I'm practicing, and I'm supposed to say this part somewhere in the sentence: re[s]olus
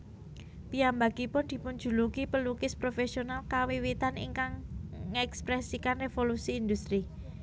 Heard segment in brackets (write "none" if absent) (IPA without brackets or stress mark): f